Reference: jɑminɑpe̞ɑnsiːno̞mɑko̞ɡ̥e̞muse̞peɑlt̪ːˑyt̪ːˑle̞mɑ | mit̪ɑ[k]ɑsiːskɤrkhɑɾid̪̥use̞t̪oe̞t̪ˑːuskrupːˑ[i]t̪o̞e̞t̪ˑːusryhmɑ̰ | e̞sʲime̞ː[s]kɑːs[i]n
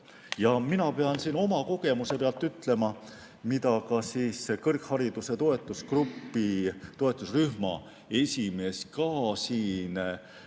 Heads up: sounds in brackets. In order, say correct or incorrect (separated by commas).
correct, correct, correct, incorrect